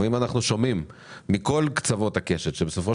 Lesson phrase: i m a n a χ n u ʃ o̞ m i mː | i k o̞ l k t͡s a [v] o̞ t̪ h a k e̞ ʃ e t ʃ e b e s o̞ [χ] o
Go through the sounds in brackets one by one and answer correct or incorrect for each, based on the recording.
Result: correct, incorrect

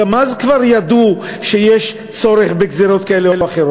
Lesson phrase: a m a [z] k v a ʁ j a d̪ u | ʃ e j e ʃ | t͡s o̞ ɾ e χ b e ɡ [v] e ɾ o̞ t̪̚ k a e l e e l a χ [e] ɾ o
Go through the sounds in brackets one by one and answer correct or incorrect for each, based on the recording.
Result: correct, incorrect, correct

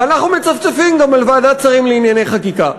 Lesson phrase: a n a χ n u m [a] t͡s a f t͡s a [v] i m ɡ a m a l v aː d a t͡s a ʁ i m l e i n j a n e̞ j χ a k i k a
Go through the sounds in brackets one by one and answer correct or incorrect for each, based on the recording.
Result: incorrect, incorrect

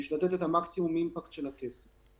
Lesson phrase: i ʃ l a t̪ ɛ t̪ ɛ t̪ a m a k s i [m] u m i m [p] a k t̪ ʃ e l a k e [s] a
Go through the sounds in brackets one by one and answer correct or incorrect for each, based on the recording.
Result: correct, correct, correct

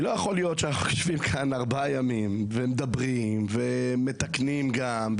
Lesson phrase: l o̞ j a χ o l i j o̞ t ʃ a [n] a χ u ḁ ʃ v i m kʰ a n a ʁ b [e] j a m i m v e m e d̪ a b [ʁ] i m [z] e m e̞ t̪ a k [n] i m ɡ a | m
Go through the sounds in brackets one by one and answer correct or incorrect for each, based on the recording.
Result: correct, incorrect, correct, incorrect, correct

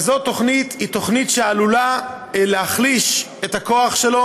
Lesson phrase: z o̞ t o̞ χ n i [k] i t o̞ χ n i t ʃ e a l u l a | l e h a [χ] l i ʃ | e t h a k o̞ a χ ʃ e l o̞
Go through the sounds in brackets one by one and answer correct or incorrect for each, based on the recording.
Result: incorrect, correct

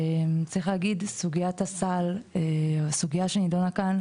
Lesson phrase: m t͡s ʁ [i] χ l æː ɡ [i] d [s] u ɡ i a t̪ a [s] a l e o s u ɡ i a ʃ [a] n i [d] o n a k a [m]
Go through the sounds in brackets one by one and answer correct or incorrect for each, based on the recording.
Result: correct, correct, correct, correct, incorrect, correct, incorrect

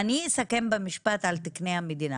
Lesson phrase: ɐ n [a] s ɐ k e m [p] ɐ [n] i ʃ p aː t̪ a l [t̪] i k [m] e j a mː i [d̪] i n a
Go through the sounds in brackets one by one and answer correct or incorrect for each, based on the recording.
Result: incorrect, incorrect, incorrect, correct, incorrect, correct

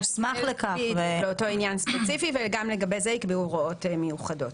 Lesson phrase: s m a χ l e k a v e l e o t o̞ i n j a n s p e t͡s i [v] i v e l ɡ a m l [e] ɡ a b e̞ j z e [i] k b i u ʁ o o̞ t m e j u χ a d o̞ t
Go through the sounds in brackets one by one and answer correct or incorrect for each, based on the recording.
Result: incorrect, correct, correct

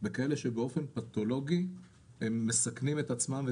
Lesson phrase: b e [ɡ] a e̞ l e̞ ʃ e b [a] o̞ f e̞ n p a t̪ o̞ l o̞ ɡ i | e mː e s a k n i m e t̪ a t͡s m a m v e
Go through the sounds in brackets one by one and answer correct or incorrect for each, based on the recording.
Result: incorrect, incorrect

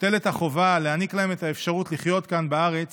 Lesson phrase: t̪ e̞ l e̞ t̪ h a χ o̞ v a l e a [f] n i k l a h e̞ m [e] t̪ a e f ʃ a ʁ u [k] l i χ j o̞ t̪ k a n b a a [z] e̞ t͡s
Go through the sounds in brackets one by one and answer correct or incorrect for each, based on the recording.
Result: incorrect, correct, incorrect, incorrect

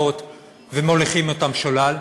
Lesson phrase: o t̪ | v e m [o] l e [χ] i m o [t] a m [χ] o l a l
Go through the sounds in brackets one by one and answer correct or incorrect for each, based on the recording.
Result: correct, correct, correct, incorrect

